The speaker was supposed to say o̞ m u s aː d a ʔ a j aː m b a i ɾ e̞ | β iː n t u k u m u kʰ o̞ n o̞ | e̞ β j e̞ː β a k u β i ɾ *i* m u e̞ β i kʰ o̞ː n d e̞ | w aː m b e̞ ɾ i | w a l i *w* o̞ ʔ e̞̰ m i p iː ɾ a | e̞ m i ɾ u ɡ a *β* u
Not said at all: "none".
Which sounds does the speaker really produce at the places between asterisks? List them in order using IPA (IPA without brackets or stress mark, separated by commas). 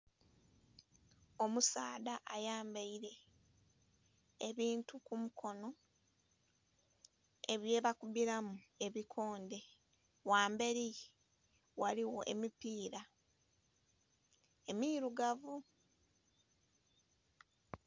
a, w, v